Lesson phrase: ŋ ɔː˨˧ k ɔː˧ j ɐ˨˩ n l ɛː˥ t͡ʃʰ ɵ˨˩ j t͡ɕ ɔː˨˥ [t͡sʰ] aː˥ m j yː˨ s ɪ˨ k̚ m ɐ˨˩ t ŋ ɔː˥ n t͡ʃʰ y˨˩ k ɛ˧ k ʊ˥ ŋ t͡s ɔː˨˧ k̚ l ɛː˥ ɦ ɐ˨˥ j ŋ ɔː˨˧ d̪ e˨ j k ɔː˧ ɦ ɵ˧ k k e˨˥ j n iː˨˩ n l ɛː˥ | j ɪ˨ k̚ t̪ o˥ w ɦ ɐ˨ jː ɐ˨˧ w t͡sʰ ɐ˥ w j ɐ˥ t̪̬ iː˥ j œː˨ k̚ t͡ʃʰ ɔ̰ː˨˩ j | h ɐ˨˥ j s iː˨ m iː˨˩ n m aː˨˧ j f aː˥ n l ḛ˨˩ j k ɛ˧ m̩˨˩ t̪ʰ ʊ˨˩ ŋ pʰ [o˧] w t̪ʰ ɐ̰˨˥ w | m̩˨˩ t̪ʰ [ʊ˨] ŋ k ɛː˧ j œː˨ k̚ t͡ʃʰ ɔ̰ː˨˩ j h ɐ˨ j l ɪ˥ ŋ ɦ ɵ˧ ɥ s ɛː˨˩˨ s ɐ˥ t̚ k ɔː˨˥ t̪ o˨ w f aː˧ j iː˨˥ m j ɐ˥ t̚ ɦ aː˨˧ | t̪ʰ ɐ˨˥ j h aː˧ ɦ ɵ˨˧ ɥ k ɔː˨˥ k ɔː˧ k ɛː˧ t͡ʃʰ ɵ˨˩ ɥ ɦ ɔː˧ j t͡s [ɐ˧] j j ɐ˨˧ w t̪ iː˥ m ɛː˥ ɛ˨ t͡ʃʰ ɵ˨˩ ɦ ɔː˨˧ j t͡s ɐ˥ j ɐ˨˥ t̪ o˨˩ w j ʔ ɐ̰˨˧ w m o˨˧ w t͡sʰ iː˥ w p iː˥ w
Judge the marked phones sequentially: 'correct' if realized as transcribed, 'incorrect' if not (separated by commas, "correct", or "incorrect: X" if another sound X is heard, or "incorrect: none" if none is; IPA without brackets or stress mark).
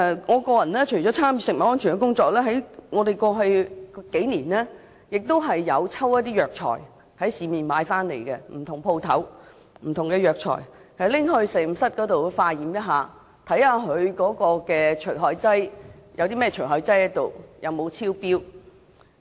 correct, correct, correct, incorrect: ɐ˥